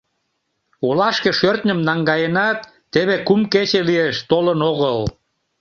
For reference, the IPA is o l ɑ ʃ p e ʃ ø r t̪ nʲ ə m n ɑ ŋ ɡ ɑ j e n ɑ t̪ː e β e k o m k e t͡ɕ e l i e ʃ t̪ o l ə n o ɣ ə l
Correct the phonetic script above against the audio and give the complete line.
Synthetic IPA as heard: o l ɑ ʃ k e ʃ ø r t̪ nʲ ə m n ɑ ŋ ɡ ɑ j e n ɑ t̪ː e β e k u m k e t͡ɕ e l i e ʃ t̪ o l ə n o ɣ ə l